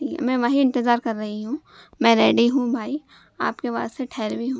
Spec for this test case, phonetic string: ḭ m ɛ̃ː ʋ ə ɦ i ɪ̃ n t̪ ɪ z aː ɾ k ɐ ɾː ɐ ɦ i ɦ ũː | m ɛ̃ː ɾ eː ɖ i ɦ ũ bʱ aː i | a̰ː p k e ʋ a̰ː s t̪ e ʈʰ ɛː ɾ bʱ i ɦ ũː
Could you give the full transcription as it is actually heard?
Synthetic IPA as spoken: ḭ m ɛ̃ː ʋ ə ɦ i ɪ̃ n t̪ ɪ z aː ɾ k ɐ ɾː ɐ ɦ i ɦ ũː | m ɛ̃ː ɾ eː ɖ i ɦ ũ bʱ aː i | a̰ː p k e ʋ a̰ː s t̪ e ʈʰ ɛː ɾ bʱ i ɦ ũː